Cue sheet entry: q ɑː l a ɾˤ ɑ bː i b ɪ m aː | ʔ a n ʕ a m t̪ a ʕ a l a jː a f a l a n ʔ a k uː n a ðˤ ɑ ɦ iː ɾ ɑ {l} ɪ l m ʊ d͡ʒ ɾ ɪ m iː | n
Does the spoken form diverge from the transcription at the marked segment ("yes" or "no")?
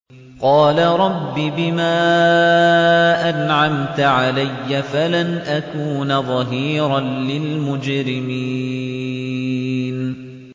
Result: no